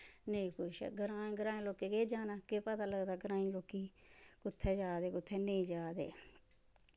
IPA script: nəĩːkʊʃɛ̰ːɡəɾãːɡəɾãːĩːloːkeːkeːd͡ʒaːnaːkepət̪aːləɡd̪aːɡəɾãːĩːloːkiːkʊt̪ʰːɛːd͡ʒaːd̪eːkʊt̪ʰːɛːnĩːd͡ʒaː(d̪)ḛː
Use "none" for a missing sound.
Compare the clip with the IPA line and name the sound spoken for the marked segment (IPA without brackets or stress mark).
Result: d̪